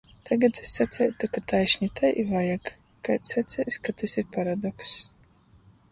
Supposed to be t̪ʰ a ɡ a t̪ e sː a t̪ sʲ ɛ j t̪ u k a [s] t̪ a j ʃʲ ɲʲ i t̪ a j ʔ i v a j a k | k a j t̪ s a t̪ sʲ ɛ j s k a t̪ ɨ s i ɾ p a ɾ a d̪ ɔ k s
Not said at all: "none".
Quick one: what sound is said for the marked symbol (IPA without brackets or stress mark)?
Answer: none